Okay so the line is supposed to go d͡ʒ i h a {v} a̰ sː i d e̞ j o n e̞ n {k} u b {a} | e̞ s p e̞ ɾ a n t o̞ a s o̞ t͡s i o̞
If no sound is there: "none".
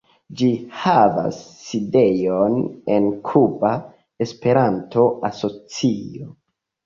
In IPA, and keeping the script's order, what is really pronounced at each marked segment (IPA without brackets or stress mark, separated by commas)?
v, kʰ, a